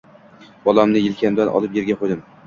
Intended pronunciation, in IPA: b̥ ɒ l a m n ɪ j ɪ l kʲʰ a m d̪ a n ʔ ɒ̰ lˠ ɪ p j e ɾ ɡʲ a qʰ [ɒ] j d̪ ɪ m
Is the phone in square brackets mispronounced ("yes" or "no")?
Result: yes